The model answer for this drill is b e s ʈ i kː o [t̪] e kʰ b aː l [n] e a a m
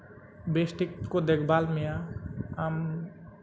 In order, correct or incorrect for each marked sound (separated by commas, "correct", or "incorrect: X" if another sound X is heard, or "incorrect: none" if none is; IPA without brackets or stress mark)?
incorrect: d̪, incorrect: m